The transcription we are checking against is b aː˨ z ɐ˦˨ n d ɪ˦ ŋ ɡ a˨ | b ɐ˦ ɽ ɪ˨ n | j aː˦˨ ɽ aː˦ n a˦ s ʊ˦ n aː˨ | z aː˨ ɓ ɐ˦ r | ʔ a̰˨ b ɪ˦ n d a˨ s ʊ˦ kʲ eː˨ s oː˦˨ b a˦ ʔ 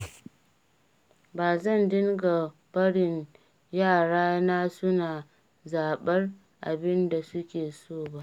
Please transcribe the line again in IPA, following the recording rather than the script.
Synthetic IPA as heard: b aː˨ z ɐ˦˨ n d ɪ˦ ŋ ɡ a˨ | b ɐ˦ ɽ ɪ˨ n | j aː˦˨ ɽ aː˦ n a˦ s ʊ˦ n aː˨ | z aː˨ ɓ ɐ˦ r | ʔ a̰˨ b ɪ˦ n d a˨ s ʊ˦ kʲ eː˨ s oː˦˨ b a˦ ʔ